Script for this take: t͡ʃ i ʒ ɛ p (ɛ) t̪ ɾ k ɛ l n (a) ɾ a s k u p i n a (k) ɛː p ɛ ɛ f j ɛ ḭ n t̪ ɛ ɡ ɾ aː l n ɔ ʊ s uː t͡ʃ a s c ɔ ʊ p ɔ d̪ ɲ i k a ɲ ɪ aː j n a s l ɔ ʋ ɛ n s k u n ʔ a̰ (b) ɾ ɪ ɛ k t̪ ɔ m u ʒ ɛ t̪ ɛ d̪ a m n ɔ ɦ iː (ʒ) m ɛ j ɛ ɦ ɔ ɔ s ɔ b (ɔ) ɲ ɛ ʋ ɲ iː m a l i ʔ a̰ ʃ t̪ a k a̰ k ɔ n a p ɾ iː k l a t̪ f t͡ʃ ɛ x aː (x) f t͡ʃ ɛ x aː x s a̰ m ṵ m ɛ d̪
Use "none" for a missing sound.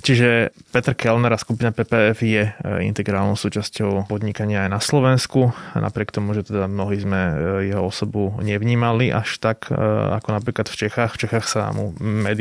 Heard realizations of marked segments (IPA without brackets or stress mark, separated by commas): ɛ, ɛ, p, p, z, u, x